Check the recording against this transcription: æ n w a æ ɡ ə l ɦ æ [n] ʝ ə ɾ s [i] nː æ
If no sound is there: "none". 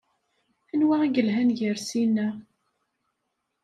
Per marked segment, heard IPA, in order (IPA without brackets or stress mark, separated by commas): n, i